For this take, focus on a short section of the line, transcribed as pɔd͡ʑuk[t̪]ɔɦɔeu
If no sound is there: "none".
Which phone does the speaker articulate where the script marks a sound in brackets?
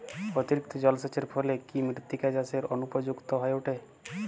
t̪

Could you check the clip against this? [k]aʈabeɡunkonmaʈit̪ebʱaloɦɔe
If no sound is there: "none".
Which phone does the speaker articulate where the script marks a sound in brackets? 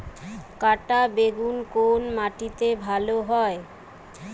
k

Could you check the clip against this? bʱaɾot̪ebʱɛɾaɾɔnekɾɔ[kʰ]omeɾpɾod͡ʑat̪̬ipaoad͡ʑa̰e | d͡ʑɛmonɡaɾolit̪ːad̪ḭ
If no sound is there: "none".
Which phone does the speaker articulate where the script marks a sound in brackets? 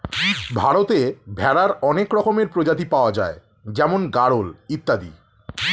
k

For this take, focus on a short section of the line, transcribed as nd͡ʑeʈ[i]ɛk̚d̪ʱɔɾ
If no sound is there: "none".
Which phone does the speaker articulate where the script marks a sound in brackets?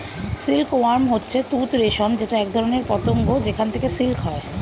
a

